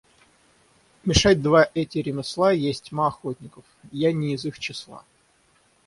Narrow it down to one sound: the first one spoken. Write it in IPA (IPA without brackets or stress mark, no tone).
mʲ